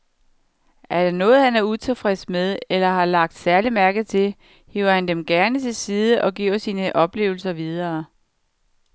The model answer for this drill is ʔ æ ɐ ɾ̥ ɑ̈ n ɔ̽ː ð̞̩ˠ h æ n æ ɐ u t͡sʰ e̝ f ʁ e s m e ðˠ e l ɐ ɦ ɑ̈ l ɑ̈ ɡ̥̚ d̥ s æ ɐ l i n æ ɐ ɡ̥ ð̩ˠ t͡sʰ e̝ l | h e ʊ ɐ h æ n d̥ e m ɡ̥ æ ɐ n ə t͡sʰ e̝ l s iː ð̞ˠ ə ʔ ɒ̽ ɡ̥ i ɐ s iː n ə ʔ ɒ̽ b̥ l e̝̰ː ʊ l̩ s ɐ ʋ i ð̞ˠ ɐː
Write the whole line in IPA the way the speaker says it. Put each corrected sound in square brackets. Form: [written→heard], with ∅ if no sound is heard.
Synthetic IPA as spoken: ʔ æ ɐ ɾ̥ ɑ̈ n ɔ̽ː ð̞̩ˠ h æ n æ ɐ u t͡sʰ e̝ f ʁ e s m e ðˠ e l ɐ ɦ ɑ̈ l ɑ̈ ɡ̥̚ d̥ s æ ɐ l i [n→m] æ ɐ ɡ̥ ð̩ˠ t͡sʰ e̝ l | h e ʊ ɐ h æ n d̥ e m ɡ̥ æ ɐ n ə t͡sʰ e̝ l s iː ð̞ˠ ə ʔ ɒ̽ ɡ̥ i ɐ s iː n ə ʔ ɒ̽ b̥ l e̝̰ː ʊ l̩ s ɐ ʋ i ð̞ˠ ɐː